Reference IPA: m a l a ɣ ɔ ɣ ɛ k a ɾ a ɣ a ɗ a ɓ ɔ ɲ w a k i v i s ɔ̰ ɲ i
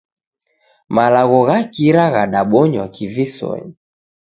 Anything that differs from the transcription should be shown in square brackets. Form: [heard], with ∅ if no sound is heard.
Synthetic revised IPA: m a l a ɣ ɔ ɣ [a] k [i] ɾ a ɣ a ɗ a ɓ ɔ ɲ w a k i v i s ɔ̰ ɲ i